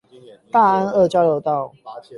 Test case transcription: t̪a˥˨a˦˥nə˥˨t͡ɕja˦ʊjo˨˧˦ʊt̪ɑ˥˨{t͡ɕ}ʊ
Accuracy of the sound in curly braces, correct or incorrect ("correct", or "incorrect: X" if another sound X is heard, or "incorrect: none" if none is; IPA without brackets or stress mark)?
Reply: incorrect: none